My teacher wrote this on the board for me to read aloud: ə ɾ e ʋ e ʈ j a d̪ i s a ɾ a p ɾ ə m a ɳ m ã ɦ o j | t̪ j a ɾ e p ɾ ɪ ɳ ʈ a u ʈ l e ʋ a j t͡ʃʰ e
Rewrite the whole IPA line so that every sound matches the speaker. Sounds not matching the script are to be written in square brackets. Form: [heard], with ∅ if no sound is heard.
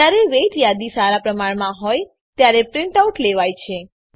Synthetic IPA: [a] ɾ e ʋ e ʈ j a d̪ i s a ɾ a p ɾ ə m a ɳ m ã ɦ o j | t̪ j a ɾ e p ɾ ɪ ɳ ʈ a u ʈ l e ʋ a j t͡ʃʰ e